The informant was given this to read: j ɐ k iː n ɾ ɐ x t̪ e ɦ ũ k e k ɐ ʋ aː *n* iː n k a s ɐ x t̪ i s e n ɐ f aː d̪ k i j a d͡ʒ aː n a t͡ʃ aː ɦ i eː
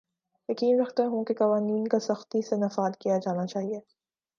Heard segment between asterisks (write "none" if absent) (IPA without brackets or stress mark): n